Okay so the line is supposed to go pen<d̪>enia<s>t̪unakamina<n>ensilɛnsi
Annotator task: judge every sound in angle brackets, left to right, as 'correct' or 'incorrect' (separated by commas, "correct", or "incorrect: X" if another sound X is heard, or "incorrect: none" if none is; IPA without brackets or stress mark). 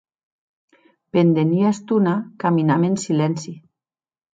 correct, correct, incorrect: m